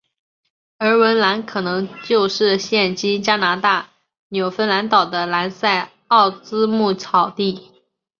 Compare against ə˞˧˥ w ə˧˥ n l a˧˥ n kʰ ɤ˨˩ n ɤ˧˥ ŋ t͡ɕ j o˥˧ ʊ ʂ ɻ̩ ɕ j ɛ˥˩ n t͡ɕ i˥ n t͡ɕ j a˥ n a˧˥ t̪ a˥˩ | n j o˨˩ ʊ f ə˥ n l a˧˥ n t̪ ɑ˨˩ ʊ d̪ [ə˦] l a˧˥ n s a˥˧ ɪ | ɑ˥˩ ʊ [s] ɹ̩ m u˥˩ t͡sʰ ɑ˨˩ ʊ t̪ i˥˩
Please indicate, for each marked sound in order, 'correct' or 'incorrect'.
correct, incorrect: t͡s

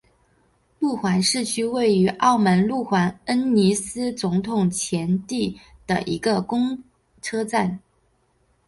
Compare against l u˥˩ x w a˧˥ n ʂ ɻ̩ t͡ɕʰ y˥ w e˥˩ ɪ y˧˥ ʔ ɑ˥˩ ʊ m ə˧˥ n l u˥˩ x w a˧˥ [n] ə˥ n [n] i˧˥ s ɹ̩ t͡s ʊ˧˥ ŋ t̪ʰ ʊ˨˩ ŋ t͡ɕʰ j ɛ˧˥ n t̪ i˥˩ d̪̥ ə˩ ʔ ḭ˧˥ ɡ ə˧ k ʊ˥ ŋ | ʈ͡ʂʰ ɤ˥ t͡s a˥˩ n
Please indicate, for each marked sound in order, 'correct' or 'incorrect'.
correct, correct

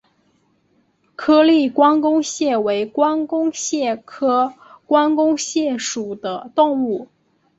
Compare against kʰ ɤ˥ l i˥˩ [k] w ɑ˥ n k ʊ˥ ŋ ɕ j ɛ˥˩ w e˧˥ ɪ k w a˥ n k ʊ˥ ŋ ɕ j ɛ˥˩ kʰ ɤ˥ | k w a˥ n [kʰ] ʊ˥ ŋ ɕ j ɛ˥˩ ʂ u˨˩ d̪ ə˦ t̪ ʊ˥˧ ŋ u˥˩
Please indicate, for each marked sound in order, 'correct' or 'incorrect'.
correct, incorrect: k

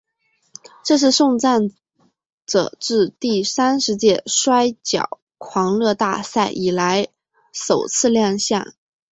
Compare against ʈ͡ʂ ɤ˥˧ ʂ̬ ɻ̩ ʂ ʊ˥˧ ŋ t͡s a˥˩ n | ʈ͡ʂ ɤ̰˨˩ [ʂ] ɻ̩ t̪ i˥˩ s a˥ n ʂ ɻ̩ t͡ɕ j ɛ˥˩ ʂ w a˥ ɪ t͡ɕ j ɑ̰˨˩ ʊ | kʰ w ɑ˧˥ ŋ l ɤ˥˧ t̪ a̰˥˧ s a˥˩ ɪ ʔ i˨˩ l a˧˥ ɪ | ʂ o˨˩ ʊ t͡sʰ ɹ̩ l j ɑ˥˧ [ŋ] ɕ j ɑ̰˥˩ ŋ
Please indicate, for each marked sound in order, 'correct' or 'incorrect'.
incorrect: ʈ͡ʂ, correct

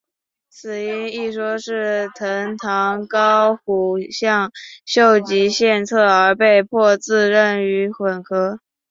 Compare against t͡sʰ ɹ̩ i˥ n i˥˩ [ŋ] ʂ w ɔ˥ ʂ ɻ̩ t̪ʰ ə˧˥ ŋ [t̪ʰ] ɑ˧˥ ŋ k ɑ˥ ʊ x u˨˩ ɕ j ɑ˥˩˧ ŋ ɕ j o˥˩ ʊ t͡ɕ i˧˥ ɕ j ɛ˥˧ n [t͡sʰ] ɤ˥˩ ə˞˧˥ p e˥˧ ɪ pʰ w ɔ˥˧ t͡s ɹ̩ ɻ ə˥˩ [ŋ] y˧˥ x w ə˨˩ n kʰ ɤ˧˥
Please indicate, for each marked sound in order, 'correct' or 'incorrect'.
incorrect: none, correct, correct, incorrect: n

